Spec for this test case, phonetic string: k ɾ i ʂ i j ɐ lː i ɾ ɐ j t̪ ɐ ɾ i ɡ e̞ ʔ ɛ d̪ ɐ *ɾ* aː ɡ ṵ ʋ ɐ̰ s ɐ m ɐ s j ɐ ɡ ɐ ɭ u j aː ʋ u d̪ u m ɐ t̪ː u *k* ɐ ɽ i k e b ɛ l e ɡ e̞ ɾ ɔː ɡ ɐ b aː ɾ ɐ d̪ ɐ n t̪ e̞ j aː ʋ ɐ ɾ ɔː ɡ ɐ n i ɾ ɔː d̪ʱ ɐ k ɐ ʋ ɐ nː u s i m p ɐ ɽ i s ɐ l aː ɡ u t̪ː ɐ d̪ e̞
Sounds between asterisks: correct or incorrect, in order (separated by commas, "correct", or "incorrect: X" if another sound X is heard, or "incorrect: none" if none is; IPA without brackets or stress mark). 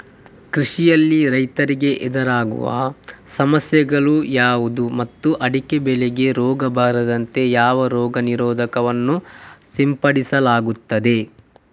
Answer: correct, incorrect: ʔ